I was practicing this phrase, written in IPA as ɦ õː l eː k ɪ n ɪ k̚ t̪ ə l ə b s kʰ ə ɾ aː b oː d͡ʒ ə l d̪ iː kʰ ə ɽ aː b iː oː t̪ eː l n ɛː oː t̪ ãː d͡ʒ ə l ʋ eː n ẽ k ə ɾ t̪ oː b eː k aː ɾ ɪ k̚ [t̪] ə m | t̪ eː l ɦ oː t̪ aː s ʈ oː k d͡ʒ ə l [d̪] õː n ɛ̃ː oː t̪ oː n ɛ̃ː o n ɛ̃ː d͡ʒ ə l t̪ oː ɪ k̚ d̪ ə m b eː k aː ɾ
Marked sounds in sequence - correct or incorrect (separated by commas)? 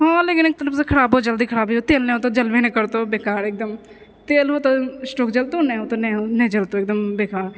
incorrect, incorrect